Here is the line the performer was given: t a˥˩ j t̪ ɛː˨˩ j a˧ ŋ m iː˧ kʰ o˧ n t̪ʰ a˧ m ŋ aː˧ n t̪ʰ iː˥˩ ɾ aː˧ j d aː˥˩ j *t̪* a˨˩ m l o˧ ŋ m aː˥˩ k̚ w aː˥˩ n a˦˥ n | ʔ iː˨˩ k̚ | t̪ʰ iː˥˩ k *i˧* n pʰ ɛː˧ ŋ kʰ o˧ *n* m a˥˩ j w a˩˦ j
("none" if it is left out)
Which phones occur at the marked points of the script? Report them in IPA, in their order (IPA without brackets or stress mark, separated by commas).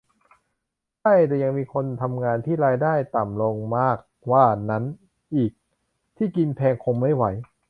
t̪, i˧, ŋ